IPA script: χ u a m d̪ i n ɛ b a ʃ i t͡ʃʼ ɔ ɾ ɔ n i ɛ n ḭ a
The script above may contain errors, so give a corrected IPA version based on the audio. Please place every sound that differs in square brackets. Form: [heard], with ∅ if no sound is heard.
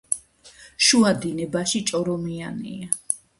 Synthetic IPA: [ʃ] u a [∅] d̪ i n ɛ b a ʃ i t͡ʃʼ ɔ ɾ ɔ [m] i [a] n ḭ a